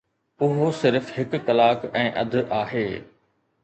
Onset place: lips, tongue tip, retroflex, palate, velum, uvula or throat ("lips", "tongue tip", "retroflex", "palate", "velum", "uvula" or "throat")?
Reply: throat